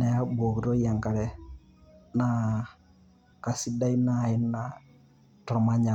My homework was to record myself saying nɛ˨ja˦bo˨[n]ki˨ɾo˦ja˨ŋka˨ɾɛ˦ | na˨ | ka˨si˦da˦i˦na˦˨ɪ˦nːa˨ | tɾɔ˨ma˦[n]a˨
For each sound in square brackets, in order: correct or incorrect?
incorrect: none, incorrect: ɲ

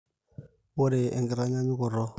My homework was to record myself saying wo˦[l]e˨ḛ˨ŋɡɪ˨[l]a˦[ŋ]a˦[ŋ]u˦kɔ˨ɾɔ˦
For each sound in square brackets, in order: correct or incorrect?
incorrect: ɾ, incorrect: ɾ, incorrect: ɲ, incorrect: ɲ

